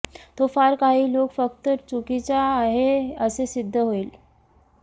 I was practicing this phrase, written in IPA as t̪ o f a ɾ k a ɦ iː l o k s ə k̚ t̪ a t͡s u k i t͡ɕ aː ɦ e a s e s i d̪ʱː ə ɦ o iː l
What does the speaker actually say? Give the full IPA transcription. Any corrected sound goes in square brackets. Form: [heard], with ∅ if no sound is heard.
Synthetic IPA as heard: t̪ o f a ɾ k a ɦ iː l o k [f] ə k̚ t̪ [ə] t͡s u k i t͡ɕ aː ɦ e [ə] s e s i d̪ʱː ə ɦ o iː l